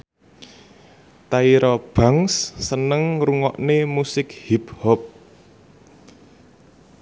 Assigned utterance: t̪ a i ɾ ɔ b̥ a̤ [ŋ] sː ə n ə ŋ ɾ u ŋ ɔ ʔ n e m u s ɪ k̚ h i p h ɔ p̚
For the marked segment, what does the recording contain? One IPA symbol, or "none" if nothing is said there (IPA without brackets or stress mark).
ŋ